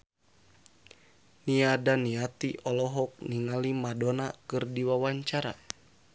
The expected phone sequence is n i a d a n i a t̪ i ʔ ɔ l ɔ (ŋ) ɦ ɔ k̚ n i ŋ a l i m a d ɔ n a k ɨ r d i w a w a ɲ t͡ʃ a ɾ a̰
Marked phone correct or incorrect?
incorrect